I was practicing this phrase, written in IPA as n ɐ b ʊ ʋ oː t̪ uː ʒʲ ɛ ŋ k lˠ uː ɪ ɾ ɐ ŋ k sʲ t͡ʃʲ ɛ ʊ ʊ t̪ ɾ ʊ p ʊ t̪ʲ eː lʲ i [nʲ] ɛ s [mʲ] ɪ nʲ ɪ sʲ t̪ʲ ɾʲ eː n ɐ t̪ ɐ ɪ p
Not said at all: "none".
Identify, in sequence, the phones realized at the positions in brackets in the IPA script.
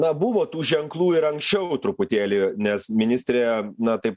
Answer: nʲ, mʲ

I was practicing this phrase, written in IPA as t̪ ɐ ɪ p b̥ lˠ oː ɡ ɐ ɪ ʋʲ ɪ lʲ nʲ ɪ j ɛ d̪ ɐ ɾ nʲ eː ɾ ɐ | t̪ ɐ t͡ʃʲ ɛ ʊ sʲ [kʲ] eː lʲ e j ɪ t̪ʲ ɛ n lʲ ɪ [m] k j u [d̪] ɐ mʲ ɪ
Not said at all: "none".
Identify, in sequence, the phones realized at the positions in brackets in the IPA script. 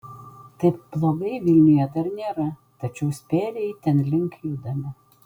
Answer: pʲ, ŋ, d̪

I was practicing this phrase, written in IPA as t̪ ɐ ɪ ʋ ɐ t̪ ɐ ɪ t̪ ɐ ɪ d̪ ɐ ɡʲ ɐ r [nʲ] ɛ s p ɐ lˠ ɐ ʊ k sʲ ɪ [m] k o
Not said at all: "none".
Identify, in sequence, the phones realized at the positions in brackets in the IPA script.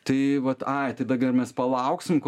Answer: mʲ, m

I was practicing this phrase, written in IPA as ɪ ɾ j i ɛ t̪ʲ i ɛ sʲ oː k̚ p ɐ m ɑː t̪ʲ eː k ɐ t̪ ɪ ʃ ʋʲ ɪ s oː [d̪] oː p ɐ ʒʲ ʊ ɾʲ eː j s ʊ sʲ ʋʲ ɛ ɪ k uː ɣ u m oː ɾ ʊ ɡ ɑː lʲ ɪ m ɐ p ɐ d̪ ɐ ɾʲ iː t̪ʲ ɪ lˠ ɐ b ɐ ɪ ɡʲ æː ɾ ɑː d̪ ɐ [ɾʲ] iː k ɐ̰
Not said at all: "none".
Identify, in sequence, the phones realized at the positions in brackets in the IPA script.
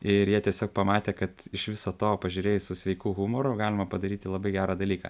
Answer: t̪, lʲ

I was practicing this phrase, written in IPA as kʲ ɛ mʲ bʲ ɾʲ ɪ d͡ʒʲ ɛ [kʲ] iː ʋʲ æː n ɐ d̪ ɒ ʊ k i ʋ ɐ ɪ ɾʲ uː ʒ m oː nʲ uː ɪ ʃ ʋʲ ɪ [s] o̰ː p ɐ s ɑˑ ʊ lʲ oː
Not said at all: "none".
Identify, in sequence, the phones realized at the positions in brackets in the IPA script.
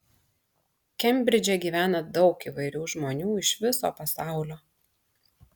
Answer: ɡʲ, s

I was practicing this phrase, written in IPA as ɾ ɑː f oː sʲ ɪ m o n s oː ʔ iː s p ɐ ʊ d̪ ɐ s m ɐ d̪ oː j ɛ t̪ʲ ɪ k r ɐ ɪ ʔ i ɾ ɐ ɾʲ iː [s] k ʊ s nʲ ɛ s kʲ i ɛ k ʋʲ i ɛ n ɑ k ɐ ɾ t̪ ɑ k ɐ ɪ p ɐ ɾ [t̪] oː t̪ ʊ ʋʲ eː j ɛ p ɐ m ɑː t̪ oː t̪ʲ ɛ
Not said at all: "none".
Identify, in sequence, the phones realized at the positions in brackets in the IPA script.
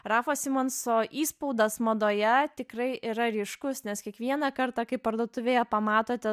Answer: ʃ, d̪

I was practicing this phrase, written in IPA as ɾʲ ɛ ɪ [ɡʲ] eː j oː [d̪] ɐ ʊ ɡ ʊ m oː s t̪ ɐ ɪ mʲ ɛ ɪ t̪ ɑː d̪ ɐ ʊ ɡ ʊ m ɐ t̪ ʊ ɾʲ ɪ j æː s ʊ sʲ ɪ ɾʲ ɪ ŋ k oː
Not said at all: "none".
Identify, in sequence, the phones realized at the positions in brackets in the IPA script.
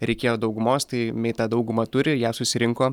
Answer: kʲ, d̪

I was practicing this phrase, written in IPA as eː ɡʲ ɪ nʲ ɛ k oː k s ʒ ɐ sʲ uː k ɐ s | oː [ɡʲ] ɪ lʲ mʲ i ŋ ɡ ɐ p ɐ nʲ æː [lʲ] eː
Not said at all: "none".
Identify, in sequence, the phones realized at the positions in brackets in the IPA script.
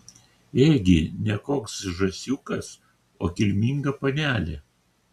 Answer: kʲ, lʲ

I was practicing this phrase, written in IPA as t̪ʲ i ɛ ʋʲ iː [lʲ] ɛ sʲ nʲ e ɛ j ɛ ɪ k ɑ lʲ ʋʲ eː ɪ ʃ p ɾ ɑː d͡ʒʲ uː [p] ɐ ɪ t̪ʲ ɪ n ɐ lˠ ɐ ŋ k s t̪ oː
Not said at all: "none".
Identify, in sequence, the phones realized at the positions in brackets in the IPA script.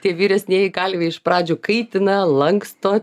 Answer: ɾʲ, k

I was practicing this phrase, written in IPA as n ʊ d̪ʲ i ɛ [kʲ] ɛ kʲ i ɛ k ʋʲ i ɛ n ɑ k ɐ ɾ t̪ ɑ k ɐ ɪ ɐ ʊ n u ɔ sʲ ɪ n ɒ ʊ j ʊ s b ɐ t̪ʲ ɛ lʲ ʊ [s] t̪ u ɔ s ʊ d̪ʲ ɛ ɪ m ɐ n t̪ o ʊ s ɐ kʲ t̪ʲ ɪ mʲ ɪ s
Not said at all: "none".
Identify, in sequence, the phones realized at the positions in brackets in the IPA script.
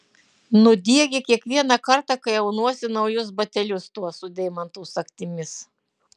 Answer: ɡʲ, s

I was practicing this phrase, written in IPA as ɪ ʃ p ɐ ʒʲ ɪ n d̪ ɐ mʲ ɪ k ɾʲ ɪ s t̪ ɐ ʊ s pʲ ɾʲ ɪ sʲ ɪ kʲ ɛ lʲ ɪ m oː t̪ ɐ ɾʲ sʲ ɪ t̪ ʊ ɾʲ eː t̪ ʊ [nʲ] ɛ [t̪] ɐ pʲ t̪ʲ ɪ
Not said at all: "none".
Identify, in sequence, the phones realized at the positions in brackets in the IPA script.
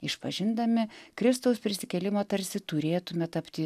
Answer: mʲ, t̪

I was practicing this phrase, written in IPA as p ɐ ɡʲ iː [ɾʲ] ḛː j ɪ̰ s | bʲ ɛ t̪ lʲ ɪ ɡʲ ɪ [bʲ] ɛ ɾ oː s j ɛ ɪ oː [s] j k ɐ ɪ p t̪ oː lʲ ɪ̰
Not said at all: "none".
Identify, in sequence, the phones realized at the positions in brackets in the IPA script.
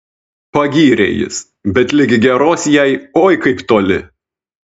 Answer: ɾʲ, ɡʲ, none

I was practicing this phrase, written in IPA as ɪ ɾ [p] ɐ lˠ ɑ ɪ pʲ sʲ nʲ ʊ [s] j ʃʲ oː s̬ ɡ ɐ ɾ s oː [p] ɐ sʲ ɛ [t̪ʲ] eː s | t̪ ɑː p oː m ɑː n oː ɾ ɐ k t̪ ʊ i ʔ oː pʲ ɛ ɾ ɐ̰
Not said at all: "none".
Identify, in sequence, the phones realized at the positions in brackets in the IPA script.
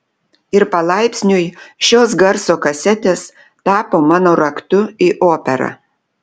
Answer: p, none, k, t̪ʲ

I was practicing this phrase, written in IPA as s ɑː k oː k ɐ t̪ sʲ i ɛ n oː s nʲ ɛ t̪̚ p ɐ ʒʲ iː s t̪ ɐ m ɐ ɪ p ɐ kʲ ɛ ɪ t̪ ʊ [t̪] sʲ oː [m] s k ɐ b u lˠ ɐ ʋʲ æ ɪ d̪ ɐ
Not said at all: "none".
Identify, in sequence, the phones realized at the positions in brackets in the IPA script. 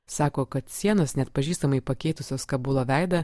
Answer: none, none

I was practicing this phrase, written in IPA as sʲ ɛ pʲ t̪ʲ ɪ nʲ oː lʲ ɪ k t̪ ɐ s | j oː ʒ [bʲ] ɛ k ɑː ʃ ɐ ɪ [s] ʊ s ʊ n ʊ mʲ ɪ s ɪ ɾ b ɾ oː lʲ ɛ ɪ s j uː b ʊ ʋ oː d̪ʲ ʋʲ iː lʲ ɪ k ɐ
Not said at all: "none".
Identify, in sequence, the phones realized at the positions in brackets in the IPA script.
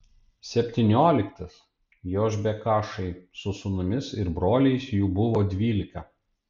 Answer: bʲ, s

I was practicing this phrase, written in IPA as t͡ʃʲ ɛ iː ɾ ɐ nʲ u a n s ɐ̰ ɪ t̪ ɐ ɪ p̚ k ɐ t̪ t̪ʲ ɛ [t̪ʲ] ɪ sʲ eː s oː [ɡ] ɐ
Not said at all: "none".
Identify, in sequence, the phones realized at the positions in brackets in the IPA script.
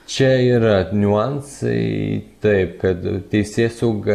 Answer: none, ɡ

